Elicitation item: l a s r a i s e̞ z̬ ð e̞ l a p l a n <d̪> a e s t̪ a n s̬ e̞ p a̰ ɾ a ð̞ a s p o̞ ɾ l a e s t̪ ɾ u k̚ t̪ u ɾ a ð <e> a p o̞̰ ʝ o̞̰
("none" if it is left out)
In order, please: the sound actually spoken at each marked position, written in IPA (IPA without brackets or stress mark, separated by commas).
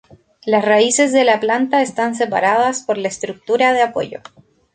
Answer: t̪, e